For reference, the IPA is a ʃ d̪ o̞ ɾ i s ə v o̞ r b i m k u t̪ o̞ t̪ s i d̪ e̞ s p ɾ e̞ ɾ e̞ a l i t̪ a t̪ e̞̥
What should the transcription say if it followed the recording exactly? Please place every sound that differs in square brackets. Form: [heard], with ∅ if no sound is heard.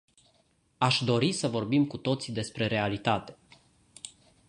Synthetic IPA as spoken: a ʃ d̪ o̞ ɾ i s ə v o̞ r b i m k u t̪ o̞ t̪ s i d̪ e̞ s p ɾ e̞ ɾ e̞ a l i t̪ a t̪ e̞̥